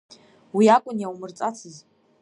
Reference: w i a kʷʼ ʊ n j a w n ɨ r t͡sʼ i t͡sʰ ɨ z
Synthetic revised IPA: w i a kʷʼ ʊ n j a w m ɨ r t͡sʼ a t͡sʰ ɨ z